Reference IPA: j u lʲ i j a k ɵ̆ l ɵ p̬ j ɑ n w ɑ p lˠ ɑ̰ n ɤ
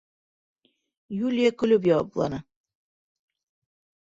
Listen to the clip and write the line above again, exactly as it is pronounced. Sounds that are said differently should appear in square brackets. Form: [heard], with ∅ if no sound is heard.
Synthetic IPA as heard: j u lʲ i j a k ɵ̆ l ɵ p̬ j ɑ [∅] w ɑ p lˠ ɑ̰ n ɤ